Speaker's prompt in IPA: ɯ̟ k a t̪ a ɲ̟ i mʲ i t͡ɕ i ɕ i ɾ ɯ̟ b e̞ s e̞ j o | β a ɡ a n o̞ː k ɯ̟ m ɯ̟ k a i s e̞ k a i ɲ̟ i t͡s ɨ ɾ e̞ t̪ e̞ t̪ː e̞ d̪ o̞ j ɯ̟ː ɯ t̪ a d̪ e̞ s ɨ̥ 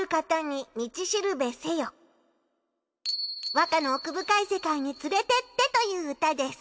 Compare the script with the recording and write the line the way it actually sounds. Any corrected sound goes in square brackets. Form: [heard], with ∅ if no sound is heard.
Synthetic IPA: ɯ̟ k a t̪ a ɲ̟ i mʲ i t͡ɕ i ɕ i ɾ ɯ̟ b e̞ s e̞ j o | β a [k] a n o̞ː k ɯ̟ [b] ɯ̟ k a i s e̞ k a i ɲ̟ i t͡s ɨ ɾ e̞ t̪ e̞ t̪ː e̞ [t̪] o̞ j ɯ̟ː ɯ t̪ a d̪ e̞ s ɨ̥